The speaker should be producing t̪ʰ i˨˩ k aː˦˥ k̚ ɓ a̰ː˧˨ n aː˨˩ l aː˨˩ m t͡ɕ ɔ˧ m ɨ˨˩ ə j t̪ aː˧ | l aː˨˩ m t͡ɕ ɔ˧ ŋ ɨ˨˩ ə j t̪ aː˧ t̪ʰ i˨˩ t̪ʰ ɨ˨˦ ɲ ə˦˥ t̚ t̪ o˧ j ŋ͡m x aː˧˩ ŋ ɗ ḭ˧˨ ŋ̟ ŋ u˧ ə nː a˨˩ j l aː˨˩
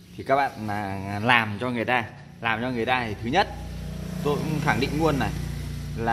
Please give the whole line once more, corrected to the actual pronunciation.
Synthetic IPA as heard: t̪ʰ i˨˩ k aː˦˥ k̚ ɓ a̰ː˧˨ n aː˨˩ l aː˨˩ m t͡ɕ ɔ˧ ŋ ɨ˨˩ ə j t̪ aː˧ | l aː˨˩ m t͡ɕ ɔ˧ ŋ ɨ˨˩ ə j t̪ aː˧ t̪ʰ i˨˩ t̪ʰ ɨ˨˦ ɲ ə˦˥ t̚ t̪ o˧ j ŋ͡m x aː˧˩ ŋ ɗ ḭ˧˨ ŋ̟ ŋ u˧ ə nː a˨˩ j l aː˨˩